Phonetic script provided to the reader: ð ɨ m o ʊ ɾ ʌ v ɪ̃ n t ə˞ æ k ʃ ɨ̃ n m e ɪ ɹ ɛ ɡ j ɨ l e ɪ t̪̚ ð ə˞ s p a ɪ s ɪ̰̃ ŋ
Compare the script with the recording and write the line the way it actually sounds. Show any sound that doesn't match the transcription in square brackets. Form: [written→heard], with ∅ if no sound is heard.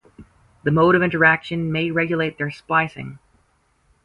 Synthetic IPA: ð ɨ m o ʊ ɾ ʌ v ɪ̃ n t ə˞ æ k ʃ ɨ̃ n m e ɪ ɹ ɛ ɡ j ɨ l e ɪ t̪̚ ð ə˞ s p a ɪ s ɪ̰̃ ŋ